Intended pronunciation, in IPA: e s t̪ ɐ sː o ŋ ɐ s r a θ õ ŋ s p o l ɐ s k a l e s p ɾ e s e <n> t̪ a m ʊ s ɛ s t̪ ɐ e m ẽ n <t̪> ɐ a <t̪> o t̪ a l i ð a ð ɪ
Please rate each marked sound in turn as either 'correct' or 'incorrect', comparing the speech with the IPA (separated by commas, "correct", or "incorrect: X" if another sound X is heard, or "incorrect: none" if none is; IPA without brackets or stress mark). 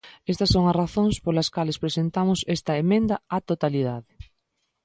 correct, incorrect: d̪, correct